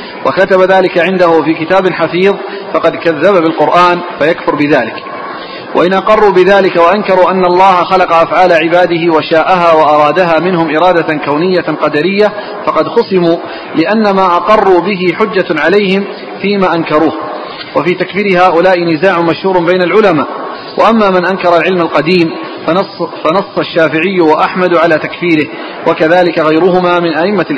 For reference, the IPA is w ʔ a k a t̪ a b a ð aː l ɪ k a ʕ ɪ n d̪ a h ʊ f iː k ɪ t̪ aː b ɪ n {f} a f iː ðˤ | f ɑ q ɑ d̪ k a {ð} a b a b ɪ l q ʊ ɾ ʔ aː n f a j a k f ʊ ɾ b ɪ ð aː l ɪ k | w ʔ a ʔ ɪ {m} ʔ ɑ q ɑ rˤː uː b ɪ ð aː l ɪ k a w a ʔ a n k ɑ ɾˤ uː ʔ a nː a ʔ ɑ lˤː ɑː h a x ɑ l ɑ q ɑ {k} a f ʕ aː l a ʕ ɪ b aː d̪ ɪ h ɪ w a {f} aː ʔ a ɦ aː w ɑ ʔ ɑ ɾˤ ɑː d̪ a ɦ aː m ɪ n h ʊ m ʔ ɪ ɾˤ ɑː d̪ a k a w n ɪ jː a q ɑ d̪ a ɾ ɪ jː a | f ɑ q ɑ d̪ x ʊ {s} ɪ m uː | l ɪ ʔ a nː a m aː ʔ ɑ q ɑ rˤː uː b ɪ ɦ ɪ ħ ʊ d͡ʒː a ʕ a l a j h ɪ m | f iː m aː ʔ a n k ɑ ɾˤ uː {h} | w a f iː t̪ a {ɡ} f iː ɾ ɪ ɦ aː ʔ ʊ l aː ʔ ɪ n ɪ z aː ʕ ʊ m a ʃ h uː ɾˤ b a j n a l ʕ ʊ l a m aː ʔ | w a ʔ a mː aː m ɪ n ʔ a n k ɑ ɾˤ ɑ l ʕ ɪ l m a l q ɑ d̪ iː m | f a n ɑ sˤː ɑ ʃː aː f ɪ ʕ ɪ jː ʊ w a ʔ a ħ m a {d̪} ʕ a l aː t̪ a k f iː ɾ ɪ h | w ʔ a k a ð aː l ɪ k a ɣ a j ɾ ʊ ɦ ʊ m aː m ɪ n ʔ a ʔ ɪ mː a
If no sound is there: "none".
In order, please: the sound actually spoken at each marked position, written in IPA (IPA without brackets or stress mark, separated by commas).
ħ, ðː, n, ʔ, ʃ, s, h, k, d̪